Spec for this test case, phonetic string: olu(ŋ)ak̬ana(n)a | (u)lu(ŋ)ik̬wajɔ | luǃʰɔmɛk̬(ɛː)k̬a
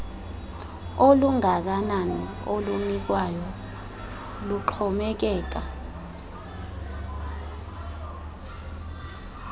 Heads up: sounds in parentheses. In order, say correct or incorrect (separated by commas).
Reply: correct, correct, incorrect, incorrect, correct